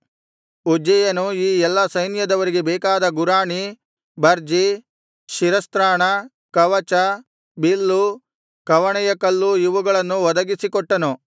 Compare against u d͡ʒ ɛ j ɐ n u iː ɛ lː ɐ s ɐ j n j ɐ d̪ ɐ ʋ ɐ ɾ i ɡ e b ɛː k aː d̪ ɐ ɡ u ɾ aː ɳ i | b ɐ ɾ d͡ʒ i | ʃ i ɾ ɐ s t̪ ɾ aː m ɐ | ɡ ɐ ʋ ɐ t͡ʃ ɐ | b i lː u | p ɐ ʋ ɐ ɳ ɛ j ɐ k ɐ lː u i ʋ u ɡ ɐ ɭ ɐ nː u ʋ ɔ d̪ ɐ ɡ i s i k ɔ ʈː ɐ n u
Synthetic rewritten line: u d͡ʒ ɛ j ɐ n u iː ɛ lː ɐ s ɐ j n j ɐ d̪ ɐ ʋ ɐ ɾ i ɡ e b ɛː k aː d̪ ɐ ɡ u ɾ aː ɳ i | b ɐ ɾ d͡ʒ i | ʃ i ɾ ɐ s t̪ ɾ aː ɳ ɐ | k ɐ ʋ ɐ t͡ʃ ɐ | b i lː u | k ɐ ʋ ɐ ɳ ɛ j ɐ k ɐ lː u i ʋ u ɡ ɐ ɭ ɐ nː u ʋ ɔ d̪ ɐ ɡ i s i k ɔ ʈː ɐ n u